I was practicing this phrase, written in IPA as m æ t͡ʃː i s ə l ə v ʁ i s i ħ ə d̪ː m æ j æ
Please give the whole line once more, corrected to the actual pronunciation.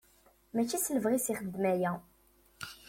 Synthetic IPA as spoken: m æ t͡ʃː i s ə l ə v ʁ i s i χ ə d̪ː m æ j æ

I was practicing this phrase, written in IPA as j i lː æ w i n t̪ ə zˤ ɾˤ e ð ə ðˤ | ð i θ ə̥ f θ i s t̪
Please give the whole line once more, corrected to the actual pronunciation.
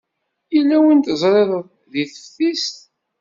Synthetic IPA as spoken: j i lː æ w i n t̪ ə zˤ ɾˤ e ð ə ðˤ | ð i θ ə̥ f θ i s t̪

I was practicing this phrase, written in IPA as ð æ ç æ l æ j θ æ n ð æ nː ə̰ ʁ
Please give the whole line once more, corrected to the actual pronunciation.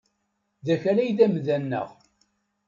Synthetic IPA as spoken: ð æ ç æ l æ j ð æ m ð æ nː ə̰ ʁ

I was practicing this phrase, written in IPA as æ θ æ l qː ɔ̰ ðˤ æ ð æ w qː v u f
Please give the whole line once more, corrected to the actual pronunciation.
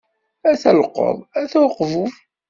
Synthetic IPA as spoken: æ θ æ l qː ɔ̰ ðˤ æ θ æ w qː v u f

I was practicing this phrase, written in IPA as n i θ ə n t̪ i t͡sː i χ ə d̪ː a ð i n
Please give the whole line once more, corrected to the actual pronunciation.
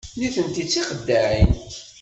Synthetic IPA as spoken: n i θ ə n t̪ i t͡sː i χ ə d̪ː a ʕ i n

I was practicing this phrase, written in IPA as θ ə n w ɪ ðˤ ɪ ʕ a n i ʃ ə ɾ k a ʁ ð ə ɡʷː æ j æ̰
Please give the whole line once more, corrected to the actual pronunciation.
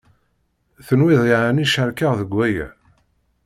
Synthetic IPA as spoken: θ ə n w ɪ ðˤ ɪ ʕ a n i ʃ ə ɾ k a ʁ ð ə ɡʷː æ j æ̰

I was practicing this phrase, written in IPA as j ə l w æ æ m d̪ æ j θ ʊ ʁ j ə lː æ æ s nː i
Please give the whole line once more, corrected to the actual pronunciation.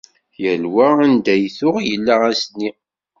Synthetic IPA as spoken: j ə l w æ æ n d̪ æ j θ ʊ ʁ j ə lː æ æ s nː i

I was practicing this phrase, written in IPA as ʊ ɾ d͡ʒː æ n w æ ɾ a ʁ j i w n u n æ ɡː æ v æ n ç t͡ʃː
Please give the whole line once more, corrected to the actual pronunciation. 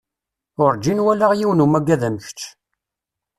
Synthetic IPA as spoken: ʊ ɾ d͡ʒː i n w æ l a ʁ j i w n u m æ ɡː æ ð æ m ç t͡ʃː

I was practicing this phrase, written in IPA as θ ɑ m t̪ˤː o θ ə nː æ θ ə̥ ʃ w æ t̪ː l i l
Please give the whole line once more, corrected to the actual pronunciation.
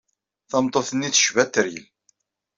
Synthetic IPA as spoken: θ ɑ m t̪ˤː o θ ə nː i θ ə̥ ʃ v æ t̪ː ɾ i l

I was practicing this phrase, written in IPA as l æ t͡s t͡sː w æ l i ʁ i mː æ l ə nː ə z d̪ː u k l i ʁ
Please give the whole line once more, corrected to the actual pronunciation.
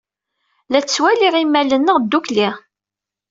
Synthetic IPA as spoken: l æ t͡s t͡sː w æ l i ʁ i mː æ l ə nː ə ʁ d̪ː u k l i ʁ

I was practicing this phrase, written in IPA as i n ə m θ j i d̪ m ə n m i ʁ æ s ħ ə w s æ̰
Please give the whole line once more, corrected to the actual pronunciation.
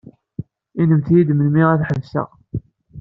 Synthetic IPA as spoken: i n ə m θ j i d̪ m ə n m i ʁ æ θ ħ ə v s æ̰

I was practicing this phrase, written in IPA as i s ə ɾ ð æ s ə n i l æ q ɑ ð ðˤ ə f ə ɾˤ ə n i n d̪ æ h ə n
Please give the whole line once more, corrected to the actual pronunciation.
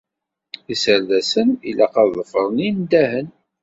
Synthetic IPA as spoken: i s ə ɾ ð æ s ə n i l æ q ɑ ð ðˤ ə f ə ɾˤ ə n i n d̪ æ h ə n

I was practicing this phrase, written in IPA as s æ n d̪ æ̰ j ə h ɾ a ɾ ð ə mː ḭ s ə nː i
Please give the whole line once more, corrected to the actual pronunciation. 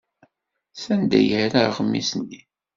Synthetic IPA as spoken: s æ n d̪ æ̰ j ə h ɾ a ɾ ʁ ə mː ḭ s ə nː i

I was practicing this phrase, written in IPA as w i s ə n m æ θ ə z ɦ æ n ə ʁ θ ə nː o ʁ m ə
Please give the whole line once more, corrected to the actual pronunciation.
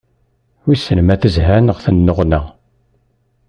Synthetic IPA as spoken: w i s ə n m æ θ ə z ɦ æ n ə ʁ θ ə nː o ʁ n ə

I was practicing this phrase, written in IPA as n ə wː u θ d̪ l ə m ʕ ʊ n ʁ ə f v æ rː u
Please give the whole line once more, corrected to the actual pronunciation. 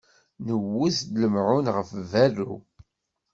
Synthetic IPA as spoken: n ə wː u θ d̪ l ə m ʕ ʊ n ʁ ə f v æ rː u

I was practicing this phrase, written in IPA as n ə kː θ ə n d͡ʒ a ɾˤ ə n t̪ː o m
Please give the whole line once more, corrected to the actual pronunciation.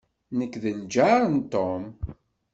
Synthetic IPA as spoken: n ə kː ð ə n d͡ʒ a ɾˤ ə n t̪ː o m

